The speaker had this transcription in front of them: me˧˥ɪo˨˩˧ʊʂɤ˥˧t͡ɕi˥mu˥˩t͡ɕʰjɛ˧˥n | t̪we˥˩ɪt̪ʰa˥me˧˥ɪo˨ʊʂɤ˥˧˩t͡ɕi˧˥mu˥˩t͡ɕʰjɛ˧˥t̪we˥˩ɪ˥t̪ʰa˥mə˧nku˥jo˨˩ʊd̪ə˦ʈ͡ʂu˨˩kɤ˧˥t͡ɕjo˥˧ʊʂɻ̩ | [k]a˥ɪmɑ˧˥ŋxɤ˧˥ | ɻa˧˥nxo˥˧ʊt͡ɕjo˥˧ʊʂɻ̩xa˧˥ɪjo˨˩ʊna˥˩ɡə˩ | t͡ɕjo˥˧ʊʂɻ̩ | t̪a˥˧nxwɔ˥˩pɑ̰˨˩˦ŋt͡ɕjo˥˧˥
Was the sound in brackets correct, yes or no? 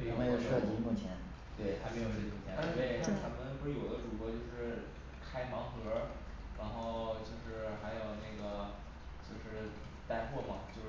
no